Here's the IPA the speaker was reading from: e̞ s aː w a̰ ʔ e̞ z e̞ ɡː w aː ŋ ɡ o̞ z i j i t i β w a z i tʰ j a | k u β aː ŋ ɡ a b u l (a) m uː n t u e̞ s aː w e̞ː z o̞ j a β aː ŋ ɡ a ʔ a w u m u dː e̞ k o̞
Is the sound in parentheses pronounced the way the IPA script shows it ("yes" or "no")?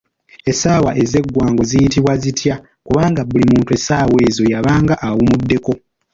no